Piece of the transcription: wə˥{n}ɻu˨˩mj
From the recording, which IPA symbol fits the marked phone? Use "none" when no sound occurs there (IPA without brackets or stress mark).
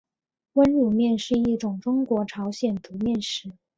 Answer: n